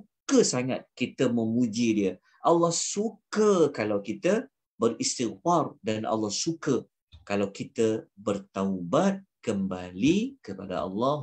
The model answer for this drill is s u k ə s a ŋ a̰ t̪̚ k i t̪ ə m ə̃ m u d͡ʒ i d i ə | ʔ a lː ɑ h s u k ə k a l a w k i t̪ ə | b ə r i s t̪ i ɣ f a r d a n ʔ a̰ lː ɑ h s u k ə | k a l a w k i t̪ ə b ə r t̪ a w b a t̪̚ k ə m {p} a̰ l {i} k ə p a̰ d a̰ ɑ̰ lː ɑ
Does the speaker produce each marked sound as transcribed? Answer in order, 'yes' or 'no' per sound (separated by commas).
no, yes